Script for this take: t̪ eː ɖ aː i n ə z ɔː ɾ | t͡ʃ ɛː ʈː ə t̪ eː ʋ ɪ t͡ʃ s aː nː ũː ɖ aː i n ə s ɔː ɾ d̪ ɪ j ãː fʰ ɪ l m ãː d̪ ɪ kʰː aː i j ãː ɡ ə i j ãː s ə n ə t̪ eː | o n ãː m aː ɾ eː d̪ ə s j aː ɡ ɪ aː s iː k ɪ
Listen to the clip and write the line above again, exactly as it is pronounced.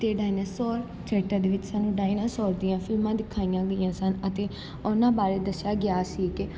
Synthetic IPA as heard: t̪ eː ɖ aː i n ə s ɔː ɾ | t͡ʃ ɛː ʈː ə d̪ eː ʋ ɪ t͡ʃ s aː n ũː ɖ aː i n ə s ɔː ɾ d̪ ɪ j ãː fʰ ɪ l m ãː d̪ ɪ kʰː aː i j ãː ɡ ə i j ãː s ə n ə t̪ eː | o n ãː b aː ɾ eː d̪ ə s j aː ɡ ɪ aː s iː k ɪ